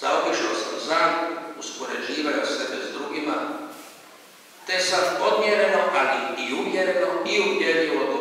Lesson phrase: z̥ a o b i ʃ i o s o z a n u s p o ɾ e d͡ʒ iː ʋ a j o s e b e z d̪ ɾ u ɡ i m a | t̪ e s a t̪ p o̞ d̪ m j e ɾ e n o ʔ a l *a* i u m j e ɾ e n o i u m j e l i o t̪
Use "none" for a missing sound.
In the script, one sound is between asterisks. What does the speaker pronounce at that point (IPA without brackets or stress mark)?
i